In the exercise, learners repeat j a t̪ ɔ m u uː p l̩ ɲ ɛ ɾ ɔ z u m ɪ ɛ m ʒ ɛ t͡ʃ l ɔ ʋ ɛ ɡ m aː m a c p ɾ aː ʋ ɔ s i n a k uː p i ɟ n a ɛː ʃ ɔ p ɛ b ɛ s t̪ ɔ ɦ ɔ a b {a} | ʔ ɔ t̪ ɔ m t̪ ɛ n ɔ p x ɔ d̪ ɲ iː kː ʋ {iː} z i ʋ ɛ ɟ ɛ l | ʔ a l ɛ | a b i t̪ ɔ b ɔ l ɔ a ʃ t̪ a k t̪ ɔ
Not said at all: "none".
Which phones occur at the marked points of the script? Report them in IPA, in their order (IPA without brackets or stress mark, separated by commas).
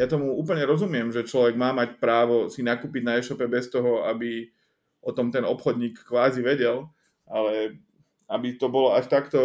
i, aː